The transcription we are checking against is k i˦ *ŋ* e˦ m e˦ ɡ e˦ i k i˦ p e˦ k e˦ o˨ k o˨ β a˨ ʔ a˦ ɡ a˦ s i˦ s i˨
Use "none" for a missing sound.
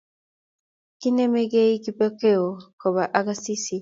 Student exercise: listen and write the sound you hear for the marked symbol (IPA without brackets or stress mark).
n